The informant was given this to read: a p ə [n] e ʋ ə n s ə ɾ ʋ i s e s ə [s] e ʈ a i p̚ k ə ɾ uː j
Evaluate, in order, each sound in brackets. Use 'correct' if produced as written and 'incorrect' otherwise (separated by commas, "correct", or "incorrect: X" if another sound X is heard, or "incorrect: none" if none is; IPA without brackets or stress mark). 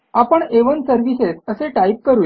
incorrect: ɳ, correct